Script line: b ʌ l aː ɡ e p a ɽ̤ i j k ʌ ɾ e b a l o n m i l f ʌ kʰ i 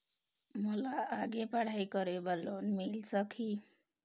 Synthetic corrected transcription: m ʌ l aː ɡ e p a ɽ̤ a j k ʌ ɾ e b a l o n m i l s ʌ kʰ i